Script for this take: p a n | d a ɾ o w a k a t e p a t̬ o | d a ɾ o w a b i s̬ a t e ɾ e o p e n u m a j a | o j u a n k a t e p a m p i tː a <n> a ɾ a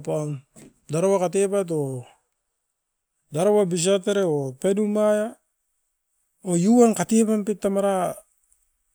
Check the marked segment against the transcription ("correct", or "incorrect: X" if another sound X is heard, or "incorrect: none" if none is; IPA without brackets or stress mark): incorrect: m